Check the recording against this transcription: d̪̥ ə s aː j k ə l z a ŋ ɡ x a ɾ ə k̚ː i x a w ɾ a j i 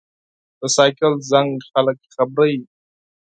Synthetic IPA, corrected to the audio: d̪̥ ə s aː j k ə l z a ŋ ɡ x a l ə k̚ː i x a b ɾ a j i

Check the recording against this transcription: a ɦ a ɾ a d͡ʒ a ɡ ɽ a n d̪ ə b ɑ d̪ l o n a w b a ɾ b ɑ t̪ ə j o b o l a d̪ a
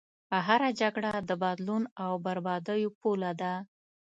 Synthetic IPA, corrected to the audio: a ɦ a ɾ a d͡ʒ a ɡ ɽ a d̪ ə b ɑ d̪ l u n a w b a ɾ b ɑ d̪ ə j o p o l a d̪ a

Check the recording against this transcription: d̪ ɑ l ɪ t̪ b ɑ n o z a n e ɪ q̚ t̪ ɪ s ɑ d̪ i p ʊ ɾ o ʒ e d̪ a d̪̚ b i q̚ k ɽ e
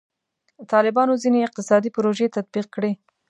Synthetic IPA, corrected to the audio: t̪ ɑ l ɪ b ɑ n o z i n e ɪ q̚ t̪ ɪ s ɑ d̪ i p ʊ ɾ o ʒ e t̪ a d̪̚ b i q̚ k ɽ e

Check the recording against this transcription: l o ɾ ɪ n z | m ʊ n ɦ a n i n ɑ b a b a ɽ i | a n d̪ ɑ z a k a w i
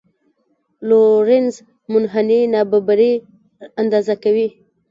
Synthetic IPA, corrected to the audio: l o ɾ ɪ n z | m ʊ n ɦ a n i n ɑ b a b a ɾ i | a n d̪ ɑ z a k a w i

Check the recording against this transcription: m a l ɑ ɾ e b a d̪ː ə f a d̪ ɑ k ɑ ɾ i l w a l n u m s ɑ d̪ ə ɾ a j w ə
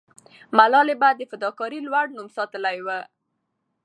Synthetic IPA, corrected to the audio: m a l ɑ l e b a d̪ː ə f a d̪ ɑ k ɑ ɾ i l w a ɽ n u m s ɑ t̪ ə l a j w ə

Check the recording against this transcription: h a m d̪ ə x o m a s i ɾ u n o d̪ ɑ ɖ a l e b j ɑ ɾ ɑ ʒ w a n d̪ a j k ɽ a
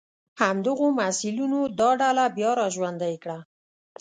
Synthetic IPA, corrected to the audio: h a m d̪ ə ɣ o m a s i l u n o d̪ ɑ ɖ a l a b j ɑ ɾ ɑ ʒ w a n d̪ a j k ɽ a

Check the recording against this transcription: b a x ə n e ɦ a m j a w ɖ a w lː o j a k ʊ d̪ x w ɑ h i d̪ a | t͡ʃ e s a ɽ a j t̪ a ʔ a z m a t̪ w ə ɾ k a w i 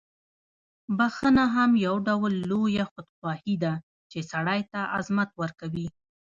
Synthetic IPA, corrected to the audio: b a x ə n a ɦ a m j a w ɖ a w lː o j a x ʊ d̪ x w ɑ h i d̪ a | t͡ʃ e s a ɽ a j t̪ a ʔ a z m a t̪ w ə ɾ k a w i

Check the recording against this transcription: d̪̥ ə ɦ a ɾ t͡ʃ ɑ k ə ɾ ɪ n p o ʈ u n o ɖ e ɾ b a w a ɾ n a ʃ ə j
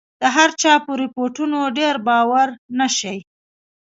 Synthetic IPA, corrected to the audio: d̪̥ ə ɦ a ɾ t͡ʃ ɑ p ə ɾ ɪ p o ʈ u n o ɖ e ɾ b ɑ w a ɾ n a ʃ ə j

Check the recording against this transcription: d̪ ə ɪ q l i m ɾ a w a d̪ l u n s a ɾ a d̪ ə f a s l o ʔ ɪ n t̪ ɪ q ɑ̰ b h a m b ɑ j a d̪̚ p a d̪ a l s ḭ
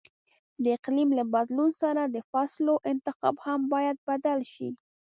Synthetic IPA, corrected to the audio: d̪ ə ɪ q l i m l a b a d̪ l u n s a ɾ a d̪ ə f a s l o ʔ ɪ n t̪ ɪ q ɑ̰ b h a m b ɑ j a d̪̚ b a d̪ a l ʃ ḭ

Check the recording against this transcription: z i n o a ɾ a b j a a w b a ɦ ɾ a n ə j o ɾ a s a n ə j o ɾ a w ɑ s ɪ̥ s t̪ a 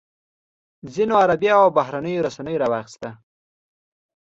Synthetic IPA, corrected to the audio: z i n o a ɾ a b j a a w b a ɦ ɾ a n ə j o ɾ a s a n ə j o ɾ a w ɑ x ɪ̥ s t̪ a

